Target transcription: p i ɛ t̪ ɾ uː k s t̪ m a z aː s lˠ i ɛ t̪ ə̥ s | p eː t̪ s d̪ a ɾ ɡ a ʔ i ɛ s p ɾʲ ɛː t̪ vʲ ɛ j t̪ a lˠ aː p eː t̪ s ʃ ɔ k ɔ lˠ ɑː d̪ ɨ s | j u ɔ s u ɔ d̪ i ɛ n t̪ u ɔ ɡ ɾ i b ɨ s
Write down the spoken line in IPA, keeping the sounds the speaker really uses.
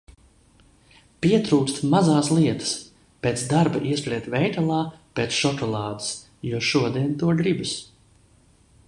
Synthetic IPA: p i ɛ t̪ ɾ uː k s t̪ m a z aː s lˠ i ɛ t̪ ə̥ s | p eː t̪ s d̪ a ɾ b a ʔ i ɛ s p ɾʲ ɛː t̪ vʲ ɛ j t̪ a lˠ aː p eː t̪ s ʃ ɔ k ɔ lˠ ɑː d̪ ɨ s | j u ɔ ʃ u ɔ d̪ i ɛ n t̪ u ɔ ɡ ɾ i b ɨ s